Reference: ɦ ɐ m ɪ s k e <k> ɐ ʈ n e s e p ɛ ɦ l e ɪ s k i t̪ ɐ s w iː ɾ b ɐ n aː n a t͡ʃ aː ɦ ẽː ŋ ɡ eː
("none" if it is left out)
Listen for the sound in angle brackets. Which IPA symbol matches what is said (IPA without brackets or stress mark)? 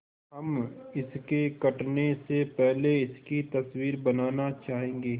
k